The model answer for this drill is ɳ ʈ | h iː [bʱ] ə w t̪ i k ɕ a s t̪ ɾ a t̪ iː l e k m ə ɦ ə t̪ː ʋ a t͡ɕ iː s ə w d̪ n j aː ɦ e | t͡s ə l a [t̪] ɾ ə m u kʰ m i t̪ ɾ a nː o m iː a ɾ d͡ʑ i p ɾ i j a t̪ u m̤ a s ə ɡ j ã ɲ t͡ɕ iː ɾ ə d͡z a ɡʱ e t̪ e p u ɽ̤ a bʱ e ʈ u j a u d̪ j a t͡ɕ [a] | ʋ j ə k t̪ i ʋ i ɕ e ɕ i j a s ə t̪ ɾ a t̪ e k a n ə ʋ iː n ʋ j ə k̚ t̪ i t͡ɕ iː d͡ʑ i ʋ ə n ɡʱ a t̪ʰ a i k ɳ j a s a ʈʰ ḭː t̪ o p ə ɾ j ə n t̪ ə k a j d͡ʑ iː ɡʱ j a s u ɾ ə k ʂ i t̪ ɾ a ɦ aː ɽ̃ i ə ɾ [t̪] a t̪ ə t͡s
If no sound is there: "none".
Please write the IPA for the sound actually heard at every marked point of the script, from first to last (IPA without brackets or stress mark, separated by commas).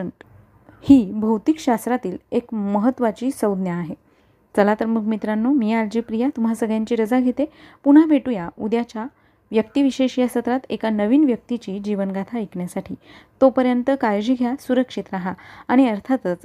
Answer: bʱ, t̪, a, t̪ʰ